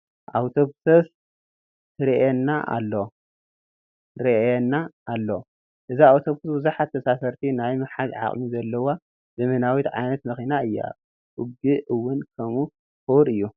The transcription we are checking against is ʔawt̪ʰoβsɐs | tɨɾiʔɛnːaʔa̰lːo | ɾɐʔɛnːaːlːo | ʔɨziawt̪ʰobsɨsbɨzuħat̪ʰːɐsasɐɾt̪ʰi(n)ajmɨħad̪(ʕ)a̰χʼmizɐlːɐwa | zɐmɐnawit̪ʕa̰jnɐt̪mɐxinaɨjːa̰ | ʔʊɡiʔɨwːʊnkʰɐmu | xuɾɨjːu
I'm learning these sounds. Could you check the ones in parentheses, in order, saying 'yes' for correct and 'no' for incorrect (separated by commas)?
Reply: yes, yes